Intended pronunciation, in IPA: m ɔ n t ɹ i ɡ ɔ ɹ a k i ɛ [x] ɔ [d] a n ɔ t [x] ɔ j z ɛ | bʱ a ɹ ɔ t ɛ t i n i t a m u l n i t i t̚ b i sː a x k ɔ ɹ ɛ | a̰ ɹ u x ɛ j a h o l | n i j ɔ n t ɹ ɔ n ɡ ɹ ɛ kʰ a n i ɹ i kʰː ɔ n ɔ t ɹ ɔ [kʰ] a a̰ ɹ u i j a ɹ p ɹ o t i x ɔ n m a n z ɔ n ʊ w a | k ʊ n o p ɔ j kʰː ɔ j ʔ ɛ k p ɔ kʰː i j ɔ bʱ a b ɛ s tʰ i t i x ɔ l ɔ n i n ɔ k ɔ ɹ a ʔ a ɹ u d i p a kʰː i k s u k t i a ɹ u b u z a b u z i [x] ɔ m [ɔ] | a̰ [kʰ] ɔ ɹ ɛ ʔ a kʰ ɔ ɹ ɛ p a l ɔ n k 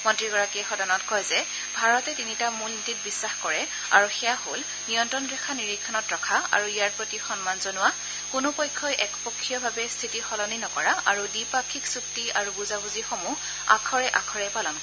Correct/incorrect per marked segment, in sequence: correct, correct, incorrect, correct, correct, incorrect, correct

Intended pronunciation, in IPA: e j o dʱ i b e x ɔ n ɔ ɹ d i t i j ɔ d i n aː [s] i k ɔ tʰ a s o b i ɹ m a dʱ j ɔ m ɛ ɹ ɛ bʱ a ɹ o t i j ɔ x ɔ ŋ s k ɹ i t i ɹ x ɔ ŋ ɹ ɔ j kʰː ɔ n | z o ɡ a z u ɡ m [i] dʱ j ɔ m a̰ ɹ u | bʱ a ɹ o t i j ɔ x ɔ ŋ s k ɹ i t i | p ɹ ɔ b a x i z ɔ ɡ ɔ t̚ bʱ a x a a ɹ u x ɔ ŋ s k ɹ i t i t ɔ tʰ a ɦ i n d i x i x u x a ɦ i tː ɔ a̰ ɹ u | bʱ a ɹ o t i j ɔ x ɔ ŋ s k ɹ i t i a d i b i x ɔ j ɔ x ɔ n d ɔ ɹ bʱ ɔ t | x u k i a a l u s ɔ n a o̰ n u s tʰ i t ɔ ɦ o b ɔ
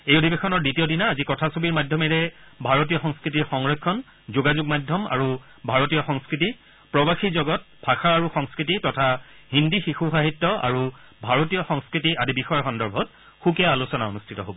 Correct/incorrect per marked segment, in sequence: incorrect, incorrect

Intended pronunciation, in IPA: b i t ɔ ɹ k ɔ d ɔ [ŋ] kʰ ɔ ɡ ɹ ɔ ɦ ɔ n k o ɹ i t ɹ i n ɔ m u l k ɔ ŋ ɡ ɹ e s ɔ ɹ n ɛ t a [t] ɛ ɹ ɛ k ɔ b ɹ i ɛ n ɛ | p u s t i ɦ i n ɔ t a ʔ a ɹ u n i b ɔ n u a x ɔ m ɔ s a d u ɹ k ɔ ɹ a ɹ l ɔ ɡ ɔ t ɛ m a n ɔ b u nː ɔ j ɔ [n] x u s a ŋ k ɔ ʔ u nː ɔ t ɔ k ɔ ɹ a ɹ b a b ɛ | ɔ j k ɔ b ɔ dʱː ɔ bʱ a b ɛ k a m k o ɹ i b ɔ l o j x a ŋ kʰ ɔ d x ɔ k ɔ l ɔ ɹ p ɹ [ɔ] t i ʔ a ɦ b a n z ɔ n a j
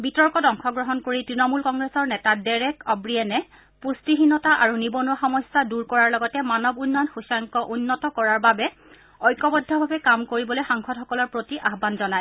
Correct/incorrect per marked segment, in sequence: correct, incorrect, correct, incorrect

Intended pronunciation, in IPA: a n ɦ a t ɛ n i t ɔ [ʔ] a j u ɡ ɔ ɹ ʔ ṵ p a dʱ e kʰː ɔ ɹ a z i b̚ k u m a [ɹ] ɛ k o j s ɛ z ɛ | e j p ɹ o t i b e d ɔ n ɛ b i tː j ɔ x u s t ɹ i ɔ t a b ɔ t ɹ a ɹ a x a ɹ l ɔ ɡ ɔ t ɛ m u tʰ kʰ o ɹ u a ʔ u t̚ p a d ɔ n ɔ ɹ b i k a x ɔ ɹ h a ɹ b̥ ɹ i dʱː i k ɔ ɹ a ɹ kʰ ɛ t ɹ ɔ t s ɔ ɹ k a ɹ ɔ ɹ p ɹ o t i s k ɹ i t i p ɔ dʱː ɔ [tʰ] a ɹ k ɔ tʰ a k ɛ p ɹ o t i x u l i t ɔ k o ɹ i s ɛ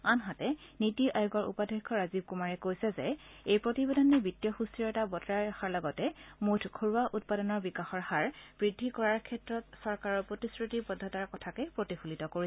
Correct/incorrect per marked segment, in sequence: correct, correct, incorrect

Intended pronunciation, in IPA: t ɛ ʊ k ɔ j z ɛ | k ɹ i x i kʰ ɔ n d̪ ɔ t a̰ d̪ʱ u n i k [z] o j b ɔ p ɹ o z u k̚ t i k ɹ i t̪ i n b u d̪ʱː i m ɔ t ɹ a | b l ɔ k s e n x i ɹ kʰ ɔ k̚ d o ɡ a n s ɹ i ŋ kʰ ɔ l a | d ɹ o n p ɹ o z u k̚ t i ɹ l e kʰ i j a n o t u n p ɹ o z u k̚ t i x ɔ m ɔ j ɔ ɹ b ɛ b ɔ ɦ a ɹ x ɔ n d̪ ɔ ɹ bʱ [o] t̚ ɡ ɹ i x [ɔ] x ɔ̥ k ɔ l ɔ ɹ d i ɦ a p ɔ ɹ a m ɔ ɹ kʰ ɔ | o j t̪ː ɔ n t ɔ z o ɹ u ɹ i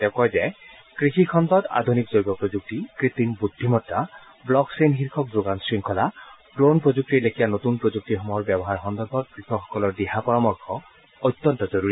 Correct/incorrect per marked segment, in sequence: correct, incorrect, correct

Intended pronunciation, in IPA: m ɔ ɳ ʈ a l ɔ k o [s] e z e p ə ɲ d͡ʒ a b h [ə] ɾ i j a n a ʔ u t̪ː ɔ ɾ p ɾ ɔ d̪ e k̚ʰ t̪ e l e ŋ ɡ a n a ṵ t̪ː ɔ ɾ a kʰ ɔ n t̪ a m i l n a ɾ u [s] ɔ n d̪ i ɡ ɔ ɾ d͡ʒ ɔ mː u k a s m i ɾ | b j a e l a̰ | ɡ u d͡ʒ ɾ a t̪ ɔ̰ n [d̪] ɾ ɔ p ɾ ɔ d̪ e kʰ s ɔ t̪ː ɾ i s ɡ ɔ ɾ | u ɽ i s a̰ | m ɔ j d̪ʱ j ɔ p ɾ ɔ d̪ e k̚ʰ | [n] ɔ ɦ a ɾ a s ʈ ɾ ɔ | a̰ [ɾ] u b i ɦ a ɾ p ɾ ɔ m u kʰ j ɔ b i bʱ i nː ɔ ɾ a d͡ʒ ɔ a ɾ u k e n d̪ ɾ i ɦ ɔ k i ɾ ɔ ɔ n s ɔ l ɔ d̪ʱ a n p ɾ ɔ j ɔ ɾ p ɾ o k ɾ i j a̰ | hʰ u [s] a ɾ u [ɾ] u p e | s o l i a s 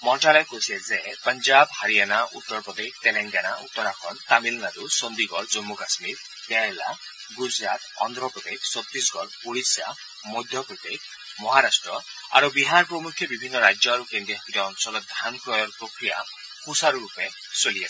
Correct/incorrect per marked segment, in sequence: correct, incorrect, correct, correct, incorrect, correct, correct, correct

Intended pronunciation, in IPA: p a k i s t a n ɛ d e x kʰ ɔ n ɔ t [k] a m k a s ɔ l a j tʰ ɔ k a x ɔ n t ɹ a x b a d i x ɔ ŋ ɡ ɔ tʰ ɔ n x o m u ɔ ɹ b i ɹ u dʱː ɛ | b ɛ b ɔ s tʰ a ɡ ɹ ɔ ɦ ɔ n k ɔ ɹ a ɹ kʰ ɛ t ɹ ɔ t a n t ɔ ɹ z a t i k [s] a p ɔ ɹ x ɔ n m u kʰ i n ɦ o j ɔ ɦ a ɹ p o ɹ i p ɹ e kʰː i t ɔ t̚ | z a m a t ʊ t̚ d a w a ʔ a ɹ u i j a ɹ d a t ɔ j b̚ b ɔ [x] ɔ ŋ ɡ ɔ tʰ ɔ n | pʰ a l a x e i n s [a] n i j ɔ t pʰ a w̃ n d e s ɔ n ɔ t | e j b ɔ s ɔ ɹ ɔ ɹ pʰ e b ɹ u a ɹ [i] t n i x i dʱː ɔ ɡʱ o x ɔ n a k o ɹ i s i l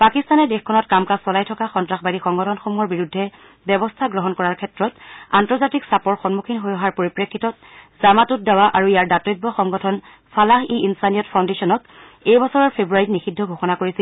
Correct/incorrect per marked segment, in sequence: correct, correct, correct, correct, correct

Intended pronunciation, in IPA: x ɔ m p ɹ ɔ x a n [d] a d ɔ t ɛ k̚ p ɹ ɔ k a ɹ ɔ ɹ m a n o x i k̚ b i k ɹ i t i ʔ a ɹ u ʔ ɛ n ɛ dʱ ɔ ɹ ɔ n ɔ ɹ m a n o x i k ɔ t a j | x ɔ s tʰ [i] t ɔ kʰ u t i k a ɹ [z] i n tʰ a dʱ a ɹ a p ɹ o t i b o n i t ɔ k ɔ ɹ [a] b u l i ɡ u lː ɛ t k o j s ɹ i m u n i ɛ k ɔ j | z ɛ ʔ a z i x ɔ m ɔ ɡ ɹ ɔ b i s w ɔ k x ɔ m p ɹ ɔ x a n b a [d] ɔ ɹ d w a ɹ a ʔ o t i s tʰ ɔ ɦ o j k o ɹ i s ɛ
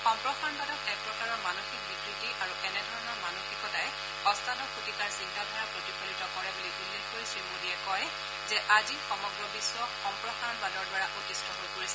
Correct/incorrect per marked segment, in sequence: incorrect, incorrect, incorrect, incorrect, correct

